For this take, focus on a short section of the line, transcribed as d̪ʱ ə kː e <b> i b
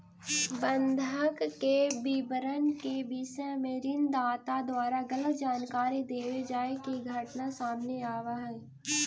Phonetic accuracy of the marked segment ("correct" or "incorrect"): correct